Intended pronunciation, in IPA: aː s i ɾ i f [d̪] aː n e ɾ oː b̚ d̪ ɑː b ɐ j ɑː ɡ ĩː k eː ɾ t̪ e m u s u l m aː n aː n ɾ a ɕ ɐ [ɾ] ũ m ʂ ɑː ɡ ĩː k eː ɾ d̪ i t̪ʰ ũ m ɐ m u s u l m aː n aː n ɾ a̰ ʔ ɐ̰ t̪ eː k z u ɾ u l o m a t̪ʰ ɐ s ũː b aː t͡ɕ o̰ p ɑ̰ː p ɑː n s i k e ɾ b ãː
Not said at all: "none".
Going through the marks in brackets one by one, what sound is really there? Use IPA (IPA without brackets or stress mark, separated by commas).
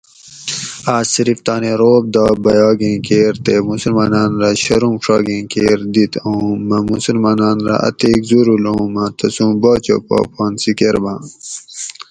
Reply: t̪, ɾ